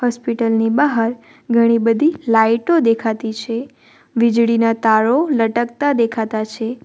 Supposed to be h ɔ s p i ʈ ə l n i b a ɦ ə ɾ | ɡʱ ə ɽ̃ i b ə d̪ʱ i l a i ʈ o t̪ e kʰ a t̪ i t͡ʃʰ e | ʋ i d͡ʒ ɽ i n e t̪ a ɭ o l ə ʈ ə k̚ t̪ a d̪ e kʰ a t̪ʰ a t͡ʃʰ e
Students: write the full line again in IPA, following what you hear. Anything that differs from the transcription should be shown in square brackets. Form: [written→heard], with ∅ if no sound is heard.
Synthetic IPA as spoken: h ɔ s p i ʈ ə l n i b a ɦ ə ɾ | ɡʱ ə ɽ̃ i b ə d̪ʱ i l a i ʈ o [t̪→d̪] e kʰ a t̪ i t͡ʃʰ e | ʋ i d͡ʒ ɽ i n [e→a] t̪ a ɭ o l ə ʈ ə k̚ t̪ a d̪ e kʰ a [t̪ʰ→t̪] a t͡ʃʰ e